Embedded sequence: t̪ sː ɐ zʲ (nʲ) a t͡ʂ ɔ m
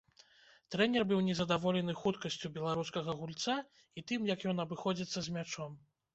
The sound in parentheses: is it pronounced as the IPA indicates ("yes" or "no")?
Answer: no